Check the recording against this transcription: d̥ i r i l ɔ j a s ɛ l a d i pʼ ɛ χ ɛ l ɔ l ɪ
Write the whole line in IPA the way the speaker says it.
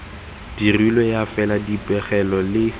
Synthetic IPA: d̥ i r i l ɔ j a f ɛ l a d i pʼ ɛ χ ɛ l ɔ l ɪ

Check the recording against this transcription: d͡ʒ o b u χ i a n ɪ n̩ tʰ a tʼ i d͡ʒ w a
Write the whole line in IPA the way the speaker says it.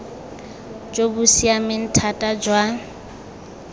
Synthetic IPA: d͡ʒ o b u s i a m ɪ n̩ tʰ a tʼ a d͡ʒ w a

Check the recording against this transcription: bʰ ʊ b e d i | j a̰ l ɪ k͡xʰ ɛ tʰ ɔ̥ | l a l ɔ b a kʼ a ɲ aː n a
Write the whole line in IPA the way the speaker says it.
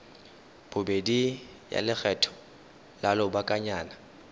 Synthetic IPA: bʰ ʊ b e d i | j a̰ l ɪ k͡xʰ ɛ tʰ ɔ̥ | l a l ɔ b a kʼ a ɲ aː n a

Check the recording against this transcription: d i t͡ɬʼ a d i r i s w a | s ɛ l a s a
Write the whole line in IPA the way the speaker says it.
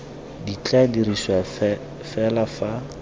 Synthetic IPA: d i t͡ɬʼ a d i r i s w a | f ɛ l a f a

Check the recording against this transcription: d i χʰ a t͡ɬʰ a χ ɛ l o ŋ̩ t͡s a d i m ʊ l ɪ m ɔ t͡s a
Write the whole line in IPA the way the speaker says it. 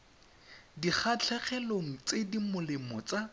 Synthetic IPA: d i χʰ a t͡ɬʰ ɛ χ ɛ l o ŋ̩ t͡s e d i m ʊ l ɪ m ɔ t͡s a

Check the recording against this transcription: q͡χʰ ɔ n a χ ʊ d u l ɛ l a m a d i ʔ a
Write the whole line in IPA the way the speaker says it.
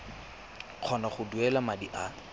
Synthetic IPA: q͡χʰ ɔ n a χ ʊ d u ɛ l a m a d i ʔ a

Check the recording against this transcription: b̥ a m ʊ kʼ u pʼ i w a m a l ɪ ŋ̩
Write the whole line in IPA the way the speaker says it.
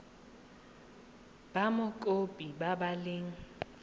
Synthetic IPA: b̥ a m ʊ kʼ o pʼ i b a b a l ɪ ŋ̩

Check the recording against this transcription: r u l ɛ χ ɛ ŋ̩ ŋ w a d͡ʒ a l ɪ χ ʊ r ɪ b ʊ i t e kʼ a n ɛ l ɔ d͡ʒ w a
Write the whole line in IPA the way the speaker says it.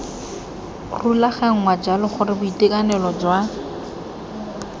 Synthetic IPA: r u l a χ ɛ ŋ̩ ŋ w a d͡ʒ a l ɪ χ ʊ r ɪ b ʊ i t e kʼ a n ɛ l ɔ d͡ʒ w a

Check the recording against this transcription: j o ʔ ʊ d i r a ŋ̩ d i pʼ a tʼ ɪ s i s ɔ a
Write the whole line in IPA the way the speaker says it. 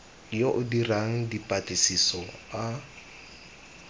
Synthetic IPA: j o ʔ ʊ d i r a ŋ̩ d i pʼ a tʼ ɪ s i s ɔ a

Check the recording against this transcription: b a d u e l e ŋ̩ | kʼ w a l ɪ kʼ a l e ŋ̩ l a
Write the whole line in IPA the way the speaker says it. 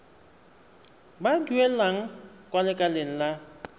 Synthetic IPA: b a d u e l a ŋ̩ | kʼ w a l ɪ kʼ a l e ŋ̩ l a

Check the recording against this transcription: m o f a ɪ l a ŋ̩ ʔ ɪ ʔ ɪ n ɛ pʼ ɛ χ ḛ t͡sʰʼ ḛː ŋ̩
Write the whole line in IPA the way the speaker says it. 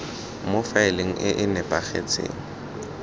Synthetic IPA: m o f a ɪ l e ŋ̩ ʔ ɪ ʔ ɪ n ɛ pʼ a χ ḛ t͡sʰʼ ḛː ŋ̩

